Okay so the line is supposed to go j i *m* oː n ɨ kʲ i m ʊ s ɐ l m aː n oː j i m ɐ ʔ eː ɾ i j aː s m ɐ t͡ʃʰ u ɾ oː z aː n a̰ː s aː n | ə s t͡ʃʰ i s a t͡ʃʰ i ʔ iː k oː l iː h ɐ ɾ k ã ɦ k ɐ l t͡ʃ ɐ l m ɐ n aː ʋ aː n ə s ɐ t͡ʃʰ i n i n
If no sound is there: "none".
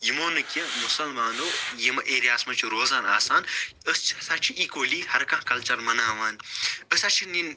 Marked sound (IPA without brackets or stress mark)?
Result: m